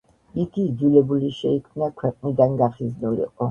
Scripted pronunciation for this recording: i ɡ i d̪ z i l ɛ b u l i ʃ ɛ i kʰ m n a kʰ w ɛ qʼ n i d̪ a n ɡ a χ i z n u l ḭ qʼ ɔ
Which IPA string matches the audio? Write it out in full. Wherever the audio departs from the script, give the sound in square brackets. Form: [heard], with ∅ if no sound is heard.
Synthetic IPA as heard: i ɡ i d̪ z i l ɛ b u l i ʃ ɛ i kʰ m n a kʰ w ɛ qʼ n i d̪ a n ɡ a χ i z n u l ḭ qʼ ɔ